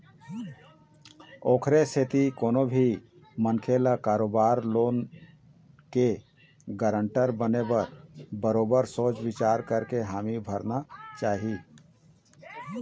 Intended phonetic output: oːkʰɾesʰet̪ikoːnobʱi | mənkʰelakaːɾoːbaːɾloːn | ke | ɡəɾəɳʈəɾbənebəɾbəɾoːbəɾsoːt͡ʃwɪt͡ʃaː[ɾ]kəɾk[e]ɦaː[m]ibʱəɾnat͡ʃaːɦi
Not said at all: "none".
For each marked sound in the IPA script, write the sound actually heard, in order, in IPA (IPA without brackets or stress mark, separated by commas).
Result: ɾ, e, m